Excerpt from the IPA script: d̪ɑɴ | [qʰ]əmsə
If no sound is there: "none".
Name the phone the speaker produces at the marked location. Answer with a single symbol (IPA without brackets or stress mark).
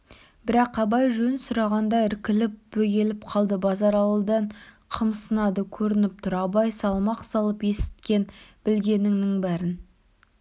qʰ